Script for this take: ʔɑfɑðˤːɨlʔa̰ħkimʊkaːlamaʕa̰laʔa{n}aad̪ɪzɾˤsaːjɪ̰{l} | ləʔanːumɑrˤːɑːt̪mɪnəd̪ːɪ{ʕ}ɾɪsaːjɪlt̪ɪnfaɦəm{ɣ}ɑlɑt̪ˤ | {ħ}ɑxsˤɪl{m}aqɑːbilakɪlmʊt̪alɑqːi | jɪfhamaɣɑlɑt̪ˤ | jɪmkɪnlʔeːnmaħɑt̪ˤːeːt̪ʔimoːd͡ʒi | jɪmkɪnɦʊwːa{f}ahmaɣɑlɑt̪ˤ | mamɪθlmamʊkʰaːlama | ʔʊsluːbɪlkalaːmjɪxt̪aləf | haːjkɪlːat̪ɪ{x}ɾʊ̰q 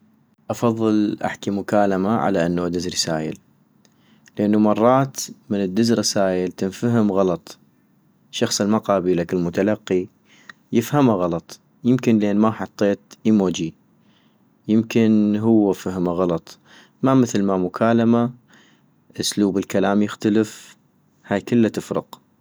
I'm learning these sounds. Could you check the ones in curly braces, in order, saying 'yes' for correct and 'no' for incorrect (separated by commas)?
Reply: no, yes, no, yes, no, yes, yes, no